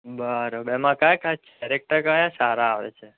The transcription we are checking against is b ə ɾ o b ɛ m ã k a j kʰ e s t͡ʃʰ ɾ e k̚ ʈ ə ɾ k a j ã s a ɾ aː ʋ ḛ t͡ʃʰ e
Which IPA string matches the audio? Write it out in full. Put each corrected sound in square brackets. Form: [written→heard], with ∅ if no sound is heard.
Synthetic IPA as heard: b ə ɾ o b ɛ m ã k a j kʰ [e→a] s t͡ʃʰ ɾ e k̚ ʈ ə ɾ k a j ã s a ɾ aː ʋ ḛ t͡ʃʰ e

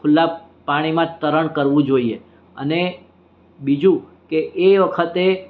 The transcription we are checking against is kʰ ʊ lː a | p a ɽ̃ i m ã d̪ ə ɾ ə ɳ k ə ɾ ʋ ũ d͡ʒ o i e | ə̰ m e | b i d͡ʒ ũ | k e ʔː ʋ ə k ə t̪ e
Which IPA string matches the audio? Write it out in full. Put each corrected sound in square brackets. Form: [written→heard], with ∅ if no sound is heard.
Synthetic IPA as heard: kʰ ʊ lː a | p a ɽ̃ i m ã [d̪→t̪] ə ɾ ə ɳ k ə ɾ ʋ ũ d͡ʒ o i e | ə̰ [m→n] e | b i d͡ʒ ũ | k e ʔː ʋ ə [k→kʰ] ə t̪ e

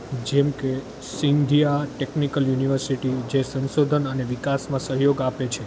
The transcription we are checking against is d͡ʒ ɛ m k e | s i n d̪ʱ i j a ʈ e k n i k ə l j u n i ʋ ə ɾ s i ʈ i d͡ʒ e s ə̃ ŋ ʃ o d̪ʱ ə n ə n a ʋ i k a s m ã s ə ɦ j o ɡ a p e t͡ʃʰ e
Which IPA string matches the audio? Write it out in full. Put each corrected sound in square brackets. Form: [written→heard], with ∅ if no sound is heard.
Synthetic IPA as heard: d͡ʒ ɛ m k e | s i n d̪ʱ i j a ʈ e k n i k ə l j u n i ʋ ə ɾ s i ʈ i d͡ʒ e s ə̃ [ŋ→n] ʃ o d̪ʱ ə n ə n [a→e] ʋ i k a s m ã s ə ɦ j o ɡ a p e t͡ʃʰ e

